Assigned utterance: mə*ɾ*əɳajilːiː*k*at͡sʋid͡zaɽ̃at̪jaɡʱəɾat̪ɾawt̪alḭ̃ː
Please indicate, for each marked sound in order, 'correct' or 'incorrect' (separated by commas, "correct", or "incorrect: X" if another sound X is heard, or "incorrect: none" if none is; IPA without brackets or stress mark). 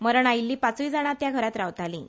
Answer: correct, incorrect: p